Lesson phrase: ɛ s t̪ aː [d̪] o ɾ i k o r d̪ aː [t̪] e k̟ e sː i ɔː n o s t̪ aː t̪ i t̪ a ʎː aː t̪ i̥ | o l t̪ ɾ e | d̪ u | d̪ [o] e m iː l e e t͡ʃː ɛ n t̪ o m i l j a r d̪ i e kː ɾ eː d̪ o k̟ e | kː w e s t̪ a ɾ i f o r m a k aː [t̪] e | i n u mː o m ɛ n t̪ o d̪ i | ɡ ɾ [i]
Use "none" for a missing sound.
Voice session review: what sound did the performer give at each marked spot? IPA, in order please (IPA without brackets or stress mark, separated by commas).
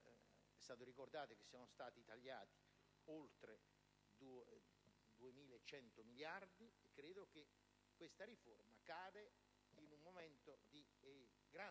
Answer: t̪, t̪, u, d̪, a